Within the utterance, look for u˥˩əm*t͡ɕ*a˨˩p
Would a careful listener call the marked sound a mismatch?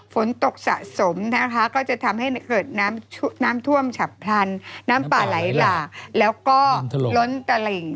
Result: yes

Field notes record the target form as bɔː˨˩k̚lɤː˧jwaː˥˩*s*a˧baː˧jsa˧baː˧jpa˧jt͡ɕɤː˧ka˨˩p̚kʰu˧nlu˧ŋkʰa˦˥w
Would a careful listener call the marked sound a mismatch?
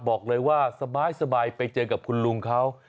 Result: no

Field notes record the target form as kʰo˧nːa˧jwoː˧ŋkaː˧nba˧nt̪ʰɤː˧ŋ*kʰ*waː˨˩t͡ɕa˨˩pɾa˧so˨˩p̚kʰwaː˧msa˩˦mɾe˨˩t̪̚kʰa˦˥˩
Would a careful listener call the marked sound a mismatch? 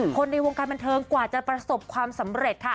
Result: yes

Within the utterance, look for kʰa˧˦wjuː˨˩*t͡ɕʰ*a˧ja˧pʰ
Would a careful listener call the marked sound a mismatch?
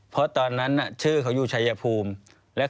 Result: no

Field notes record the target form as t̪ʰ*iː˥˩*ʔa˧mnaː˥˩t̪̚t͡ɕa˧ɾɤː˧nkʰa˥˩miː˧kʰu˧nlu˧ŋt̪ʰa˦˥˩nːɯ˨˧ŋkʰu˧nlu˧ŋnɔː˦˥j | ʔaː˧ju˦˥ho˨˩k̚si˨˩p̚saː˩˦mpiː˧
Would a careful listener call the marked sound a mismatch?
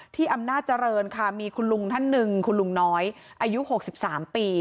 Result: no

